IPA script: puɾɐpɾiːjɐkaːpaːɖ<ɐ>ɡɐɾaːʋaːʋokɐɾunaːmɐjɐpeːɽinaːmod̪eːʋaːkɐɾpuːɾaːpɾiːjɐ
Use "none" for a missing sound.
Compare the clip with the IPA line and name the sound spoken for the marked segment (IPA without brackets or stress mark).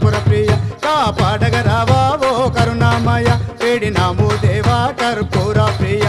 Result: ɐ